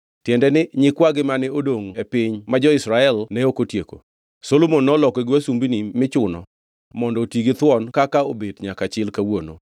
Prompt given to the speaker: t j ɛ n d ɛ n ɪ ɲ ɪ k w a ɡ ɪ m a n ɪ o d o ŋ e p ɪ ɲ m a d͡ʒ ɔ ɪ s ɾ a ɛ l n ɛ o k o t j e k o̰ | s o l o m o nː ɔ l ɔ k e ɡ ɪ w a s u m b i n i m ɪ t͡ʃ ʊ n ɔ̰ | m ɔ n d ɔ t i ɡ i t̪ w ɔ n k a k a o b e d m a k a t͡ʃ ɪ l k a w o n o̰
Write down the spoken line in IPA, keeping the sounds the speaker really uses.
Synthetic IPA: t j ɛ n d ɛ n ɪ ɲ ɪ k w a ɡ ɪ m a n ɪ o d o ŋ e p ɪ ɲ m a d͡ʒ ɔ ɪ s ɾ a ɛ l n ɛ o k o t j e k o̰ | s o l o m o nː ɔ l ɔ k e ɡ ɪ w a s u m b i n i m ɪ t͡ʃ ʊ n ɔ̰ | m ɔ n d ɔ t i ɡ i t̪ w ɔ n k a k a o b e d ɲ a k a t͡ʃ ɪ l k a w o n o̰